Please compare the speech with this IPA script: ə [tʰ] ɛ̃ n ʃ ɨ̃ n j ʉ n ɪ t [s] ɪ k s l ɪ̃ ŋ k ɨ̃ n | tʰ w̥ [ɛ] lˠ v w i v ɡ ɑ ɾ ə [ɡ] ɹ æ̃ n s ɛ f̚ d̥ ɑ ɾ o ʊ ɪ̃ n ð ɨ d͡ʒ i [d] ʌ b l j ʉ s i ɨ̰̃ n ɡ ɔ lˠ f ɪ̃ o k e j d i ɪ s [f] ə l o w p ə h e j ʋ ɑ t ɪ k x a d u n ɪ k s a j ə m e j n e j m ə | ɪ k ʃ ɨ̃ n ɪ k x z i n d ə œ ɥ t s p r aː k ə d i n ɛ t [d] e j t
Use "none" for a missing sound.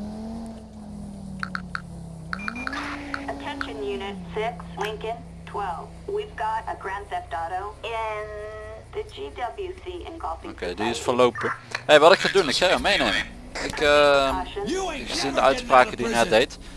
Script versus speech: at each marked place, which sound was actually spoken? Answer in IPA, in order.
tʰ, s, ɛ, ɡ, d, f, d

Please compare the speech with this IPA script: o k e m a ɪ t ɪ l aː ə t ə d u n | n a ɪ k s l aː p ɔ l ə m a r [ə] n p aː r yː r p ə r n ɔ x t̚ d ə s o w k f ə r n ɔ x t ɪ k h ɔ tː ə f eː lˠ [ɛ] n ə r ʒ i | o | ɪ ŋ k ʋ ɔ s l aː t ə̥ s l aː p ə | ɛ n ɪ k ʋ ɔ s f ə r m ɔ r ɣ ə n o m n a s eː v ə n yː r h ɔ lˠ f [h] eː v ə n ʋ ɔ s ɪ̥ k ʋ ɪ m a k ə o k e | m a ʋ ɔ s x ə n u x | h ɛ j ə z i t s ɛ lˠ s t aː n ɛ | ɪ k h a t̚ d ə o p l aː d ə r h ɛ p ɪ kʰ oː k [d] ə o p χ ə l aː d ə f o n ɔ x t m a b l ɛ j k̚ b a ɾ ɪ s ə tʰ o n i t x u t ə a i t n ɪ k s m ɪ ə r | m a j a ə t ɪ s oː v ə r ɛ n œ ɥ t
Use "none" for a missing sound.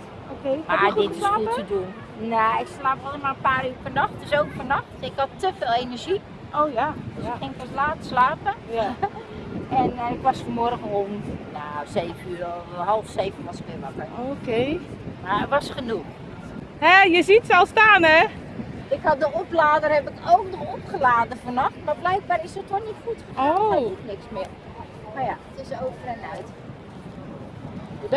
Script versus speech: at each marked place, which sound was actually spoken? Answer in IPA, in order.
ə, e, s, d

